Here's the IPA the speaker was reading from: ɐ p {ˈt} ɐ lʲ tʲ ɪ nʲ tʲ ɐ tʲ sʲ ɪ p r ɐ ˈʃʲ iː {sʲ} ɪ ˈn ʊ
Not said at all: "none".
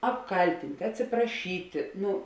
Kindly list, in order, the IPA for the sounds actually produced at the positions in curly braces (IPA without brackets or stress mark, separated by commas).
k, tʲ